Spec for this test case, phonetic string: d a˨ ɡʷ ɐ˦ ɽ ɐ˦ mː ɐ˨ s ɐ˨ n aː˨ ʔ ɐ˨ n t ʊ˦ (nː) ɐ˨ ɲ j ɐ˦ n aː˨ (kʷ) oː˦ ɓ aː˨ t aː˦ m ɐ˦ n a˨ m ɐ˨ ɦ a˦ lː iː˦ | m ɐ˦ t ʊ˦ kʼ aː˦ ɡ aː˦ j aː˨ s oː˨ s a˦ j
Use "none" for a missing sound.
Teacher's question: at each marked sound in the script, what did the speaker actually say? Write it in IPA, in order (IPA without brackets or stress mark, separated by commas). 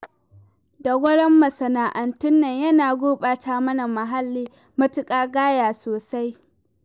nː, ɡʷ